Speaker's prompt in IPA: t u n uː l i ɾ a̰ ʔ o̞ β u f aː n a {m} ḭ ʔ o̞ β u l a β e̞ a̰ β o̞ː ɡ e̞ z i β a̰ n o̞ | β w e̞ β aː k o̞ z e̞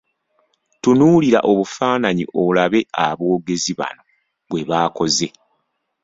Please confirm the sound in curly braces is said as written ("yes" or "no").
no